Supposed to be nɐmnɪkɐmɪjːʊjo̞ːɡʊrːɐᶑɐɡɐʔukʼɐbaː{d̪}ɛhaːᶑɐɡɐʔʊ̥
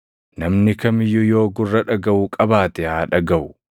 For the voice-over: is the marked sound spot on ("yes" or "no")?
no